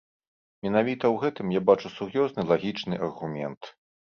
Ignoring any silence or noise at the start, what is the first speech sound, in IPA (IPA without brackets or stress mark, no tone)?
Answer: mʲ